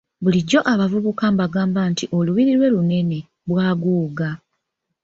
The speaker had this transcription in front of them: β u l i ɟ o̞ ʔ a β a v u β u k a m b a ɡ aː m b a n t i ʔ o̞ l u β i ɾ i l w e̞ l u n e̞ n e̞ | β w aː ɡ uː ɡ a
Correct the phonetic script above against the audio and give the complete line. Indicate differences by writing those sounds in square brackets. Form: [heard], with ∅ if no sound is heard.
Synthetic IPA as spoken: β u l i ɟ o̞ ʔ a β a v u β u k a m b a ɡ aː m b a n t i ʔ o̞ l u β i ɾ i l w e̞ l u n e̞ n e̞ | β w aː ɡ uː ɡ a